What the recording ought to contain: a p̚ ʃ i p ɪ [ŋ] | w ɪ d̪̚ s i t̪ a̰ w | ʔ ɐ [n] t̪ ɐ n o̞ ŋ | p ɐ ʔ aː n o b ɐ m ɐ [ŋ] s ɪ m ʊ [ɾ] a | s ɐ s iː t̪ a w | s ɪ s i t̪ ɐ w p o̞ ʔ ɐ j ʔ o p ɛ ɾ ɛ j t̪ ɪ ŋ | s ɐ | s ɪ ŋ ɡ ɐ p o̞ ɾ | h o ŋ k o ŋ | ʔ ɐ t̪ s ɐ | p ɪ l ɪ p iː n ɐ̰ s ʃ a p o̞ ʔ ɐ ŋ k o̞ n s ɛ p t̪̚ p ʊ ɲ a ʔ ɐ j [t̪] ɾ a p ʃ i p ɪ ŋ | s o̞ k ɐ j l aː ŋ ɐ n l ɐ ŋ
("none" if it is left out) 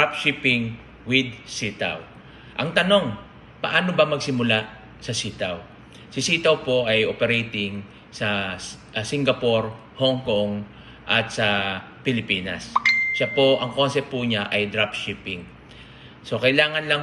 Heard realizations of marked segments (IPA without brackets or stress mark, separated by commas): ŋ, ŋ, ɡ, l, d̪